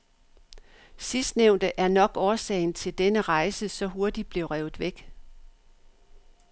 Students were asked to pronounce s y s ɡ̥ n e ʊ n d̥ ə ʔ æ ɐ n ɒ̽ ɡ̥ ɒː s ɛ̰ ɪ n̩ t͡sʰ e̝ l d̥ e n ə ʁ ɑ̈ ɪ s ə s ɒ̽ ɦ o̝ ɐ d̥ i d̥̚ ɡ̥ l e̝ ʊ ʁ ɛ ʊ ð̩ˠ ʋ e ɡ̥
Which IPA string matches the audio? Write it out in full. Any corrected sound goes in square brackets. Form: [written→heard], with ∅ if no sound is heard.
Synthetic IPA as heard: s [y→i] s [ɡ̥→d̥] n e ʊ n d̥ ə ʔ æ ɐ n ɒ̽ ɡ̥ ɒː s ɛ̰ ɪ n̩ t͡sʰ e̝ l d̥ e n ə ʁ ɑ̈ ɪ s ə s ɒ̽ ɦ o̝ ɐ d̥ i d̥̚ [ɡ̥→b̥] l e̝ ʊ ʁ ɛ ʊ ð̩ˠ ʋ e ɡ̥